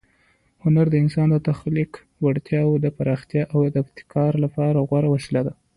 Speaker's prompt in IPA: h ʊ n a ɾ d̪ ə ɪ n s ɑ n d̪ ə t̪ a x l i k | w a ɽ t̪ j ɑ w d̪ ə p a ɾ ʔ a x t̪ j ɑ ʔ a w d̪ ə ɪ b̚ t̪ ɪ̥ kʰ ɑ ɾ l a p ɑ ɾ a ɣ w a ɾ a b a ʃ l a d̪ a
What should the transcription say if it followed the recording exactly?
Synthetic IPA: h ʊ n a ɾ d̪ ə ɪ n s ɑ n d̪ ə t̪ a x l i k | w a ɽ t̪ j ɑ w d̪ ə p a ɾ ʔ ɑ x t̪ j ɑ ʔ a w d̪ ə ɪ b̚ t̪ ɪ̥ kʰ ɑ ɾ l a p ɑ ɾ a ɣ w a ɾ a w a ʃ l a d̪ a